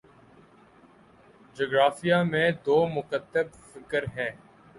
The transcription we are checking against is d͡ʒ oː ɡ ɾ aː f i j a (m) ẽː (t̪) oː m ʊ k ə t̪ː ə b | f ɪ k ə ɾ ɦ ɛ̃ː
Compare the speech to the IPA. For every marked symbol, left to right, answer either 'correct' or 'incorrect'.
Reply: correct, incorrect

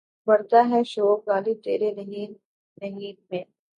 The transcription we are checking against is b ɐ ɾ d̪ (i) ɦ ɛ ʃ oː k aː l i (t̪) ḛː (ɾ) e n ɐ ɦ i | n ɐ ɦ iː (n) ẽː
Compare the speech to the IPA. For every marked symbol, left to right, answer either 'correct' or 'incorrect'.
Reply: incorrect, correct, correct, incorrect

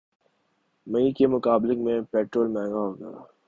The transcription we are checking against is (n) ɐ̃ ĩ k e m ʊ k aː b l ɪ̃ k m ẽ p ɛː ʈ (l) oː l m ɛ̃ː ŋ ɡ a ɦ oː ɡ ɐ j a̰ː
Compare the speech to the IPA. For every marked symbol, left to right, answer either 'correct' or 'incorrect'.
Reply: incorrect, incorrect

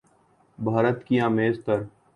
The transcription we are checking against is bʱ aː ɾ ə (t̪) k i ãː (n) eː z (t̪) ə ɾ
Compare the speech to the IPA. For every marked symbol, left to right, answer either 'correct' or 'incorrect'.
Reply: correct, incorrect, correct

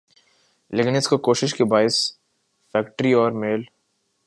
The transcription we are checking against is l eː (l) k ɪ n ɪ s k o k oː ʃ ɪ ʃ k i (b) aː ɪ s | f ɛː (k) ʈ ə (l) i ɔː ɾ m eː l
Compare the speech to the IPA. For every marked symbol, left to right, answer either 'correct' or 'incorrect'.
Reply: incorrect, correct, correct, incorrect

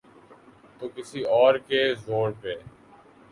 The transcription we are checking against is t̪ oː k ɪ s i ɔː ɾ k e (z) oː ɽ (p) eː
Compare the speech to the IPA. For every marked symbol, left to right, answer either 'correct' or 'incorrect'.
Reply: correct, correct

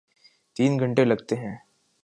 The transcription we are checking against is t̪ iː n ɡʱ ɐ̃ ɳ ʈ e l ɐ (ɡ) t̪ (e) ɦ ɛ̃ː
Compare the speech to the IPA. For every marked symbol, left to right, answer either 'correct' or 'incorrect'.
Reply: correct, correct

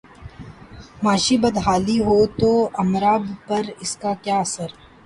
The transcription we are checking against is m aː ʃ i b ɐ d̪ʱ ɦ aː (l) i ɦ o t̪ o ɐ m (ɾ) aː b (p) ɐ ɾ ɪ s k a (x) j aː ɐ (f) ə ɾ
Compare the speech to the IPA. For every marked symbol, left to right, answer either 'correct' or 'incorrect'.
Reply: correct, correct, correct, incorrect, incorrect

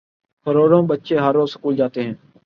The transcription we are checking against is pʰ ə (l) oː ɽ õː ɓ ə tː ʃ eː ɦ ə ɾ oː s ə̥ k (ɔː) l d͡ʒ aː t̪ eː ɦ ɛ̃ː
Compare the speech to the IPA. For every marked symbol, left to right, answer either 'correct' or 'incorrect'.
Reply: incorrect, incorrect

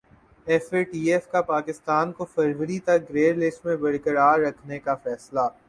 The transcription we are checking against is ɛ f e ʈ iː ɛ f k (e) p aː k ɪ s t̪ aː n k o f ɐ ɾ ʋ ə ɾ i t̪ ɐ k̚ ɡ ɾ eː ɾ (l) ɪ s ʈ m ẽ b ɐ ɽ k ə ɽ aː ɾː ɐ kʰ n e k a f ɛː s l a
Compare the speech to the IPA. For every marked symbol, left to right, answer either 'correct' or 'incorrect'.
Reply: incorrect, correct

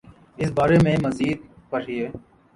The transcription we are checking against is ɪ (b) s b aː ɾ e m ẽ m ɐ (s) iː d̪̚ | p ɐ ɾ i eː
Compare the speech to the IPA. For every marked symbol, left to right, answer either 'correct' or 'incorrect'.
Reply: incorrect, incorrect

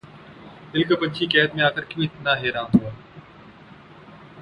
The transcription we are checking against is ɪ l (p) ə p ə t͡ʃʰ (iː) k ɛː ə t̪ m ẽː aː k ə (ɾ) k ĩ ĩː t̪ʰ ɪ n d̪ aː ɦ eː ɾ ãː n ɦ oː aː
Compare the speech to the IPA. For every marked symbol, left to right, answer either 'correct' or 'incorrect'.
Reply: incorrect, correct, correct

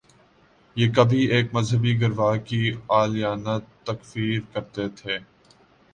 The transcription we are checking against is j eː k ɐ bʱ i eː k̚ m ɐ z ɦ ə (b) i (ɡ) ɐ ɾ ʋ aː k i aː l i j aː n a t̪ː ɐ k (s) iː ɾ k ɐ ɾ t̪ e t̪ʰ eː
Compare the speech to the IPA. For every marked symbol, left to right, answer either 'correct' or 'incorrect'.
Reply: correct, correct, incorrect

